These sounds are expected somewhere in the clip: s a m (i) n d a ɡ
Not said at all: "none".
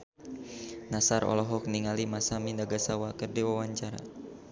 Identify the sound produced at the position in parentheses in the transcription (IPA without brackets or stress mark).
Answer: i